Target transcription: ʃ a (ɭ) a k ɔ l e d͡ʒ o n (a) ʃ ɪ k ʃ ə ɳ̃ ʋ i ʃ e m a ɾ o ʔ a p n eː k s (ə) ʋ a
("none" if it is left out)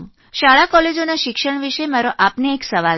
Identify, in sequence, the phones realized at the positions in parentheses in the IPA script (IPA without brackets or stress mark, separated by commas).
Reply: ɭ, a, ə